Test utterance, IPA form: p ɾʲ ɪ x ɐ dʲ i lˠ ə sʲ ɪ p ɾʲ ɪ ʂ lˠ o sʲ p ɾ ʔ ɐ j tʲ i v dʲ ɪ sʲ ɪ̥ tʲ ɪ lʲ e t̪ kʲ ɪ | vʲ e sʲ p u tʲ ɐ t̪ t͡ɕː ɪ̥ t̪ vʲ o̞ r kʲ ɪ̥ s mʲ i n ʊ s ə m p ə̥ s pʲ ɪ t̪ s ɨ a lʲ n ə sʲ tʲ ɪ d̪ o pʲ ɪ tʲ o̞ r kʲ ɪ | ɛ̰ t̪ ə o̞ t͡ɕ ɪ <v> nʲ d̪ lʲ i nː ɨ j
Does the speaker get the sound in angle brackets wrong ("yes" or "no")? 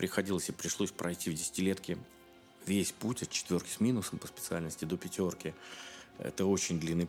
yes